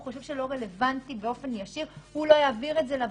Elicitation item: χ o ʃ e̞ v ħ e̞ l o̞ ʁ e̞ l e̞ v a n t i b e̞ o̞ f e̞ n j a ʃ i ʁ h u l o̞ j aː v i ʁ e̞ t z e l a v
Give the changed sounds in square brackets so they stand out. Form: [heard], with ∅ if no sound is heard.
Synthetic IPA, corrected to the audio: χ o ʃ e̞ v [ʃ] e̞ l o̞ ʁ e̞ l e̞ v a n t i b e̞ o̞ f e̞ n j a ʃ i ʁ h u l o̞ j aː v i ʁ e̞ t z e l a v